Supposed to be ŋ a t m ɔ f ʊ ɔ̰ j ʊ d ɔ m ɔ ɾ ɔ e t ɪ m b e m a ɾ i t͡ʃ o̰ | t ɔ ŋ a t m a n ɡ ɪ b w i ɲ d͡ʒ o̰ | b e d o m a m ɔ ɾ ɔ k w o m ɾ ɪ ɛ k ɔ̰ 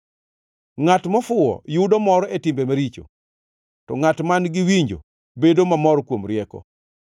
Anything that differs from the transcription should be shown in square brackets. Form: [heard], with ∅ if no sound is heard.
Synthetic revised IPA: ŋ a t m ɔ f ʊ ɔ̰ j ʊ d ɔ m ɔ ɾ ɔ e t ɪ m b e m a ɾ i t͡ʃ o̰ | t ɔ ŋ a t m a n ɡ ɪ [∅] w i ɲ d͡ʒ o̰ | b e d o m a m ɔ ɾ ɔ k w o m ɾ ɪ ɛ k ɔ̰